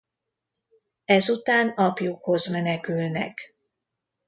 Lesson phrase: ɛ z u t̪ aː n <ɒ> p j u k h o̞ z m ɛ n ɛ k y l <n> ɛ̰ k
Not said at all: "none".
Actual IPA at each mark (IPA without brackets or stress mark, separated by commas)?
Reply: ɒ, n